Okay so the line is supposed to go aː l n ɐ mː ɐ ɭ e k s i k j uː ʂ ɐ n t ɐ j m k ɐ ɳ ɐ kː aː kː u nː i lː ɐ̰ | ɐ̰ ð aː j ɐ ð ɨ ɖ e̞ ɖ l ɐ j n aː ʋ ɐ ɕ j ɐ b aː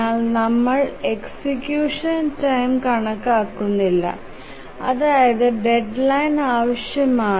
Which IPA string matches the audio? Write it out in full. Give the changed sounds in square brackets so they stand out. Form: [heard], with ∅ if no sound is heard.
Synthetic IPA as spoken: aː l n ɐ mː ɐ ɭ e k s i k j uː ʂ ɐ n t ɐ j m k ɐ ɳ ɐ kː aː kː u nː i lː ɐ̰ | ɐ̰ ð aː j ɐ ð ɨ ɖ e̞ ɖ l ɐ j n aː ʋ ɐ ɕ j ɐ [m] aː